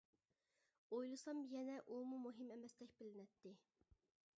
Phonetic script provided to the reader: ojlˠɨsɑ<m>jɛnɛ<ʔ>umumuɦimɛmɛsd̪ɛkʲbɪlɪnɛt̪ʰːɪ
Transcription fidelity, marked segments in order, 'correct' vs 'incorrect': correct, correct

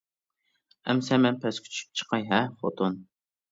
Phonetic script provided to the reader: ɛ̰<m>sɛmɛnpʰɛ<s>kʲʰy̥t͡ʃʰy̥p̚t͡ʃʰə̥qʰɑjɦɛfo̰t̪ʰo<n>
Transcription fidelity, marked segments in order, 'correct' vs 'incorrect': correct, correct, correct

